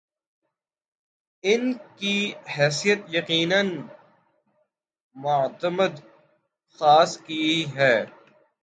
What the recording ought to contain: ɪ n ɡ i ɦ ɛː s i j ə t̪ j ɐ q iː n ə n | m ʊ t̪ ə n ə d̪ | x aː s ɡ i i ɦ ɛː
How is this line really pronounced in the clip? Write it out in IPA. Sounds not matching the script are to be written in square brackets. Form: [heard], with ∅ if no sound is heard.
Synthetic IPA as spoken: ɪ n [k] i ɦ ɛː s i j ə t̪ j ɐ q iː n ə n | m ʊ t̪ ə [m] ə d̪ | x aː s [k] i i ɦ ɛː